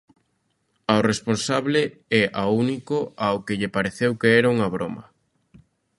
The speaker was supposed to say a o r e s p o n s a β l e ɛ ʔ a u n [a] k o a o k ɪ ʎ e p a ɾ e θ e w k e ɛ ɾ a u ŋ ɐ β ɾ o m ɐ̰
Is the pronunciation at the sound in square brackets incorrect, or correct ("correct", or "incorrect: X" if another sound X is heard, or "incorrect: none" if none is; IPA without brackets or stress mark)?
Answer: incorrect: i